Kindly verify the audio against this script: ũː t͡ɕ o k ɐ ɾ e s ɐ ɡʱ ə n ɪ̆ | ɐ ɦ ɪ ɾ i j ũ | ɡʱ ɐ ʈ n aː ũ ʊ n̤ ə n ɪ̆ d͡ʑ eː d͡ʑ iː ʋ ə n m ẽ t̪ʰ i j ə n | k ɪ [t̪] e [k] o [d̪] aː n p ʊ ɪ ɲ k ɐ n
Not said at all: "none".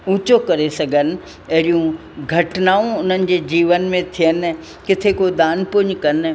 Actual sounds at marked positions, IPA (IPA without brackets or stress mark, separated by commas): t̪ʰ, k, d̪